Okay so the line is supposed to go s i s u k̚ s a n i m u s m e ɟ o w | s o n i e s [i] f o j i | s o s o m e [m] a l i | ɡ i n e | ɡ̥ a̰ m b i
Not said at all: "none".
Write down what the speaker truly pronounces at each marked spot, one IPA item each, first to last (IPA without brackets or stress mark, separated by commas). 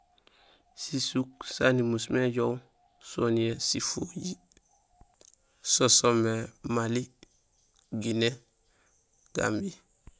i, m